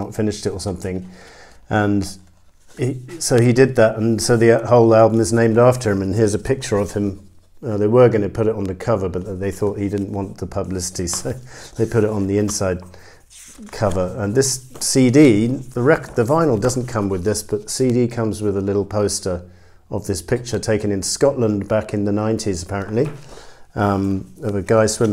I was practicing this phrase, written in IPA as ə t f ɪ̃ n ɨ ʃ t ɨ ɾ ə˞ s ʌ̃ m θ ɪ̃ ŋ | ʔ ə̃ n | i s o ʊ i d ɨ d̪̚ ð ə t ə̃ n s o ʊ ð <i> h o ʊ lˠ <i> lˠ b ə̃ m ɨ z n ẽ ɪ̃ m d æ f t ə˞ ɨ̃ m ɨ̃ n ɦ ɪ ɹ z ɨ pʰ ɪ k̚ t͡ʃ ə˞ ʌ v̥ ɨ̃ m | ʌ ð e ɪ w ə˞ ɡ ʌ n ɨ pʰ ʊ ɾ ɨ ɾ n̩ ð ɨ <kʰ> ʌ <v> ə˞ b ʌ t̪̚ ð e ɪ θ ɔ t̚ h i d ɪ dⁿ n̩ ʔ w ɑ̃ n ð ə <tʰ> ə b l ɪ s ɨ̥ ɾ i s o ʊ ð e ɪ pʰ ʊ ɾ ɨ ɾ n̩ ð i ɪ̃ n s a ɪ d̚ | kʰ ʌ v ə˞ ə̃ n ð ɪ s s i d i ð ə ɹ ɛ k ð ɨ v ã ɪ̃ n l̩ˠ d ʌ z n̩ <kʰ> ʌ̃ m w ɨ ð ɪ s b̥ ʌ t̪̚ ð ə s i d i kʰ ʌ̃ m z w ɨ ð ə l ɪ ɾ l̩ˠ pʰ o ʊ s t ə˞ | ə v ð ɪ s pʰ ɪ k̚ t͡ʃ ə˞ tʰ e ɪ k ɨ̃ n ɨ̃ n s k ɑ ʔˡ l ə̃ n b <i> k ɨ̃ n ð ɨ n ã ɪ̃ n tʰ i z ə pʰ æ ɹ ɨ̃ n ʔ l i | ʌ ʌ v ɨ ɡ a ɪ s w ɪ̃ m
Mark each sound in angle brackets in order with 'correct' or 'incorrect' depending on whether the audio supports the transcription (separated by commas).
correct, incorrect, correct, correct, incorrect, correct, incorrect